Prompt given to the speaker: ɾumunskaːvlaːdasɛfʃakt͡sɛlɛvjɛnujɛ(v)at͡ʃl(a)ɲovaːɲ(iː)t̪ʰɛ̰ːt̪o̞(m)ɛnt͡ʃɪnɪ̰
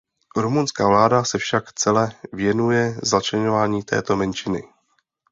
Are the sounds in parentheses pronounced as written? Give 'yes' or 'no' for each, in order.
no, no, yes, yes

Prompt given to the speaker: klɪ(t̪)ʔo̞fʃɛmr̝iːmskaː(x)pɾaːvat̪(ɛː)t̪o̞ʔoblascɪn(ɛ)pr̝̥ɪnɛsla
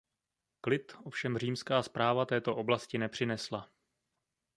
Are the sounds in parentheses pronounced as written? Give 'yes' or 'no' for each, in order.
yes, no, yes, yes

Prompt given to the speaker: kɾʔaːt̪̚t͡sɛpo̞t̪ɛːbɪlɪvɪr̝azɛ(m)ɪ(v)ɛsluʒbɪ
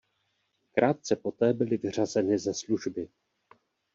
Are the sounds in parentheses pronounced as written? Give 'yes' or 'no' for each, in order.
no, no

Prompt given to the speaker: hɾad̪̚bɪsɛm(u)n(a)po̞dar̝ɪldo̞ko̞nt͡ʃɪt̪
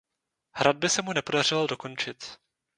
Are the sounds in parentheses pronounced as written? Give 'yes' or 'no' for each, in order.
yes, no

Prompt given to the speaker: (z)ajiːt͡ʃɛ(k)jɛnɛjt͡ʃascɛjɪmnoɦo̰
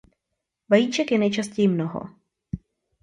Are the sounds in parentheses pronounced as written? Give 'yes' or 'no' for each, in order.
no, yes

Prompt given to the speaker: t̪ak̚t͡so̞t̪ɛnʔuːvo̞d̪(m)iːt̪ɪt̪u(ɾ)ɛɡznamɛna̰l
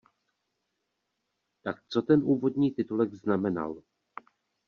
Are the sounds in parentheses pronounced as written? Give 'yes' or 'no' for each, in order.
no, no

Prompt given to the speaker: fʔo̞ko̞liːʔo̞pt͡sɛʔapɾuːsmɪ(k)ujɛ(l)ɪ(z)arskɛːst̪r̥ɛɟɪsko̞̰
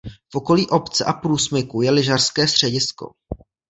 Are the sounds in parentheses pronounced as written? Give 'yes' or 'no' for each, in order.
yes, yes, no

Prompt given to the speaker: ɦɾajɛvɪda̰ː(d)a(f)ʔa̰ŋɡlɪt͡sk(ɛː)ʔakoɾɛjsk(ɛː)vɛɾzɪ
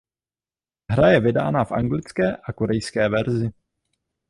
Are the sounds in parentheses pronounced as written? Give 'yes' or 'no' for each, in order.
no, yes, yes, yes

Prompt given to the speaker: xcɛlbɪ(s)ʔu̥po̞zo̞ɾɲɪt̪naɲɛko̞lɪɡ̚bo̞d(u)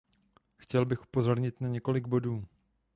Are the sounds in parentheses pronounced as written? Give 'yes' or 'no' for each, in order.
no, no

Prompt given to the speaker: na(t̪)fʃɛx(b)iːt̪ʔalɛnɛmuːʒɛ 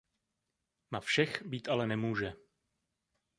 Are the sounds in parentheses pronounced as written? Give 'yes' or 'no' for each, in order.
no, yes

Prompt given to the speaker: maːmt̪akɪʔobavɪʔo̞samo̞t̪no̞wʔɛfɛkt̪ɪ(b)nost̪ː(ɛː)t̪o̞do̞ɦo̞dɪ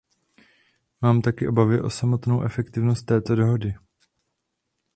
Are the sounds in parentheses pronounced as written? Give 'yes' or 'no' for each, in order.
no, yes

